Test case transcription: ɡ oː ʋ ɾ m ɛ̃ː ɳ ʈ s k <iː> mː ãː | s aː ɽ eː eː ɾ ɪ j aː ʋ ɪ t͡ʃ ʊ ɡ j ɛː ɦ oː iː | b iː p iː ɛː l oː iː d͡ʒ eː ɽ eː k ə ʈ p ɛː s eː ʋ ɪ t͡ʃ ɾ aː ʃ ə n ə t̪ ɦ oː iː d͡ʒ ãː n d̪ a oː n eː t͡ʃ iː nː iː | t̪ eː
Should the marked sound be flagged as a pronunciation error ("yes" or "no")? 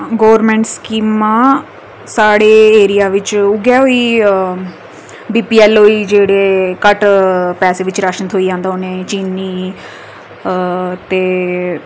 no